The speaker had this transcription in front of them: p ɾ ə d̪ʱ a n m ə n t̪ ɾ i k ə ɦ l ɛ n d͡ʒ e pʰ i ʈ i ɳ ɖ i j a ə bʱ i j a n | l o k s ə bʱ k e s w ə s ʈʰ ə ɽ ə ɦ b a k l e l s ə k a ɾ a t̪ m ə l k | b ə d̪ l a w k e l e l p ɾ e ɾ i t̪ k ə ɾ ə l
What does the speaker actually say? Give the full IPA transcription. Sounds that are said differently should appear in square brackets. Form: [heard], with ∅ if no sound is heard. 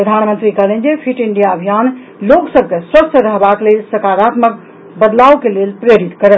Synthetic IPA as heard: p ɾ ə d̪ʱ a n m ə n t̪ ɾ i k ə ɦ l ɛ n d͡ʒ e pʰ i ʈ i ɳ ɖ i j a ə bʱ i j a n | l o k s ə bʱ k e s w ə s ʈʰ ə [ɾ] ə ɦ b a k l e l s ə k a ɾ a t̪ m ə [∅] k | b ə d̪ l a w k e l e l p ɾ e ɾ i t̪ k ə ɾ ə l